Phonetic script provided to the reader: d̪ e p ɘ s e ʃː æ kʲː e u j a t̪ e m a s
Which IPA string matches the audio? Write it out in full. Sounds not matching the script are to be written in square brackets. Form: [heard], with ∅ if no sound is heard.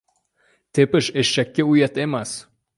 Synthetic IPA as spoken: [t̪] e p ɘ [ʃ] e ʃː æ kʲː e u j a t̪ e m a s